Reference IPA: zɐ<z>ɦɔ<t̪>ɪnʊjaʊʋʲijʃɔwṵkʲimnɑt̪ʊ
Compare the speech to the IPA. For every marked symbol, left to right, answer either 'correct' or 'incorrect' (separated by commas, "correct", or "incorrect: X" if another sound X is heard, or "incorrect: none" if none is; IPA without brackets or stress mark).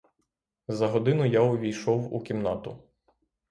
incorrect: none, incorrect: d̪